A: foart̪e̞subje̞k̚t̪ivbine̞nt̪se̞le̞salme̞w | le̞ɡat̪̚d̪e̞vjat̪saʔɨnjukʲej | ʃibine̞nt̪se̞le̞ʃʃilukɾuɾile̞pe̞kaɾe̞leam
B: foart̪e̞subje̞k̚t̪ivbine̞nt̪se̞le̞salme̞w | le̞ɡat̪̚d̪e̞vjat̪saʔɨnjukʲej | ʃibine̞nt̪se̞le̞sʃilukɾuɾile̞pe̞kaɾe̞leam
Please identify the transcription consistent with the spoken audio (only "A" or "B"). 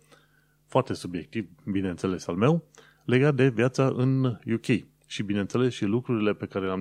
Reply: B